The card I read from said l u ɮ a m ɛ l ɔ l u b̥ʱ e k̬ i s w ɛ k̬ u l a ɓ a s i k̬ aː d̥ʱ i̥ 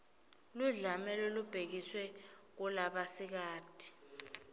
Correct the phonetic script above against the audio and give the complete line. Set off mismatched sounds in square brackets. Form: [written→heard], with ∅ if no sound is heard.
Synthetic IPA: l u ɮ a m ɛ l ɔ l u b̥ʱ e k̬ i s w ɛ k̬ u l a ɓ a s i k̬ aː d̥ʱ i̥